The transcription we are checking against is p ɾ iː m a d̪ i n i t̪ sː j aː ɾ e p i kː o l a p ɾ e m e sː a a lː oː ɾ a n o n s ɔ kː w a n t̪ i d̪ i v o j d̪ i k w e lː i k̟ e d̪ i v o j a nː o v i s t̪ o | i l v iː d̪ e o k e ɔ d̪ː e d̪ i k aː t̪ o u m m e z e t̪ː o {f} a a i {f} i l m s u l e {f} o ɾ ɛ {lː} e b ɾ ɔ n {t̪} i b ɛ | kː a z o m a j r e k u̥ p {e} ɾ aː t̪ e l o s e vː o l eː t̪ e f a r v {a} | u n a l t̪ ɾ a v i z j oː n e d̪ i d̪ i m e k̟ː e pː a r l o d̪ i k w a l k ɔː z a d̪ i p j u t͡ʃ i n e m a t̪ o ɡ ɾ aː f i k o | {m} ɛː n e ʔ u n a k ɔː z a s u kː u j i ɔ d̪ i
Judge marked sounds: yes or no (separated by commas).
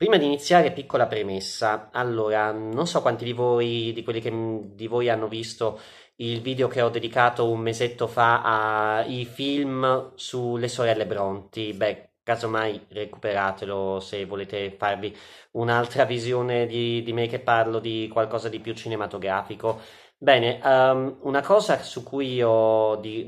yes, yes, no, yes, yes, yes, no, no